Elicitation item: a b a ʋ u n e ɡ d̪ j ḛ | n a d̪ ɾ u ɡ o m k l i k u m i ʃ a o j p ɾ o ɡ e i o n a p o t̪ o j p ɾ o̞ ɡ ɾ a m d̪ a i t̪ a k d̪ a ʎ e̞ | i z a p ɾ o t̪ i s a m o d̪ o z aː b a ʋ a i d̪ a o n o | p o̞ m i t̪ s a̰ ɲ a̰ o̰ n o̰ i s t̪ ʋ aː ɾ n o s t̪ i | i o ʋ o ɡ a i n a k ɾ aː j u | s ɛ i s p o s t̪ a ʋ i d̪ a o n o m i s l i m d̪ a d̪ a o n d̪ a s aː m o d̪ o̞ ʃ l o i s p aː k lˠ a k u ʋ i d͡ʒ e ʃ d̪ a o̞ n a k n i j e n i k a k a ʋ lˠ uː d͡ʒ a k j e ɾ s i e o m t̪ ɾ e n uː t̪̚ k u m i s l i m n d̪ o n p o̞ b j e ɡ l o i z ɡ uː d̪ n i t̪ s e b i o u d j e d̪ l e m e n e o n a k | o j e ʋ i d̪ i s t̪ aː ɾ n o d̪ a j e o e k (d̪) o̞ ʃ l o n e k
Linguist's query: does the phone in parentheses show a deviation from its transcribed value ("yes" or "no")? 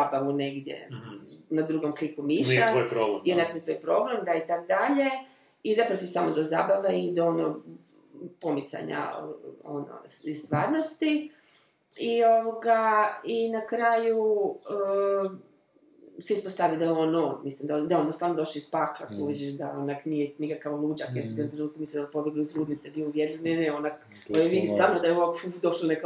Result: no